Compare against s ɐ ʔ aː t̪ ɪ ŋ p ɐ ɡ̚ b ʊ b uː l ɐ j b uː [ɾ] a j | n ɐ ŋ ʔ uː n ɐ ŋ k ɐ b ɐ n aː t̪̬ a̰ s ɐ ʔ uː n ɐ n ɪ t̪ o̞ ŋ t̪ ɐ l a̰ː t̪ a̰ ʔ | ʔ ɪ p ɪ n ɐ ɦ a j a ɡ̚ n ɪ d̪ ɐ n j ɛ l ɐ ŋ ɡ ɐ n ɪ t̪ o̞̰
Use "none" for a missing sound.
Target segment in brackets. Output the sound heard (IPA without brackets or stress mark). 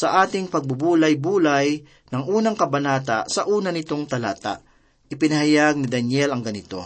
l